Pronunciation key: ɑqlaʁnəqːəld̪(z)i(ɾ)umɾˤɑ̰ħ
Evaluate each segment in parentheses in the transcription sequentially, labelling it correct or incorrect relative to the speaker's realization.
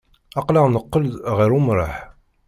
incorrect: ʁ, correct

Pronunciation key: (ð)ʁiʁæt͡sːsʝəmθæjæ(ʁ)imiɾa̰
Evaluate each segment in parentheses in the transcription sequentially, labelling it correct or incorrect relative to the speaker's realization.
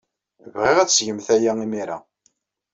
incorrect: v, incorrect: none

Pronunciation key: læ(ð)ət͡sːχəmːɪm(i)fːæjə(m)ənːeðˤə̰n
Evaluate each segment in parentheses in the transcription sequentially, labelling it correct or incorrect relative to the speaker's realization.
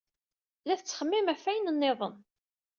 incorrect: θ, incorrect: æ, incorrect: n

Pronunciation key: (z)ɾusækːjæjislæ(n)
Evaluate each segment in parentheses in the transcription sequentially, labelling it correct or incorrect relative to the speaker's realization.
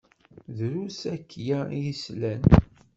incorrect: ð, correct

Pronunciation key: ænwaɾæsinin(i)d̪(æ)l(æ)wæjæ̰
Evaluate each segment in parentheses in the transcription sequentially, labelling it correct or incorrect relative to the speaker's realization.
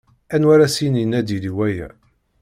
incorrect: æ, incorrect: i, incorrect: i

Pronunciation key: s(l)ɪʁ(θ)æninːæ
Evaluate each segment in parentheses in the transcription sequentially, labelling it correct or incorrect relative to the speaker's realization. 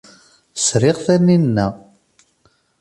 incorrect: ɾ, correct

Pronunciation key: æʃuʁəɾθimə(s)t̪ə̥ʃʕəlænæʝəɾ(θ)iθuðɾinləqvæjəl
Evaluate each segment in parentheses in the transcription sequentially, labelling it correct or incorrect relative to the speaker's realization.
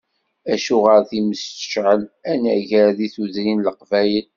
correct, incorrect: ð

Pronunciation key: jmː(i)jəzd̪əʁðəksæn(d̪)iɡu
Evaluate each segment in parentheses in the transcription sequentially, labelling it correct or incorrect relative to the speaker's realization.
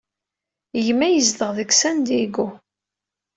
incorrect: æ, correct

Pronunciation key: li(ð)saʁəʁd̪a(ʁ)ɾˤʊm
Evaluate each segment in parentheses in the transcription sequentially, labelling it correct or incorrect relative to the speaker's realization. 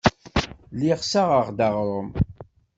incorrect: ʁ, correct

